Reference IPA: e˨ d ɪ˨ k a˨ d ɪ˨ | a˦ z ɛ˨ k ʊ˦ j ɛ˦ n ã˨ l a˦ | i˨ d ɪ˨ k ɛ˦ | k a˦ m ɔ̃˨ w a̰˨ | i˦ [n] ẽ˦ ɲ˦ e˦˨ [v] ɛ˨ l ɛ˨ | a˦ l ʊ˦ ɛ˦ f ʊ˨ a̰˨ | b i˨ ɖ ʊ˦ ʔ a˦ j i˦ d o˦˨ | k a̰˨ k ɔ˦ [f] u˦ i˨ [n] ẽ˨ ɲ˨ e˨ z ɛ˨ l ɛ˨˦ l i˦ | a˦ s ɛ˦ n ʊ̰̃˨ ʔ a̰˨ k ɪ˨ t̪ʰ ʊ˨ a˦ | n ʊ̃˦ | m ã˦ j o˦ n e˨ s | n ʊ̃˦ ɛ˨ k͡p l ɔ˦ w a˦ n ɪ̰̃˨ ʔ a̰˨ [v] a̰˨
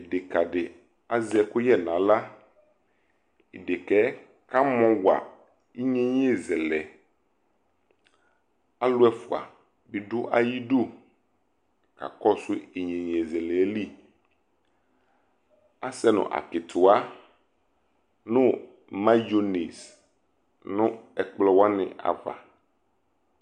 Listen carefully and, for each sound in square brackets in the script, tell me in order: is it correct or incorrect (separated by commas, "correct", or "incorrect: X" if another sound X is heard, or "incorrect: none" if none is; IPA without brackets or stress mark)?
incorrect: ɲ, incorrect: z, incorrect: s, incorrect: ɲ, correct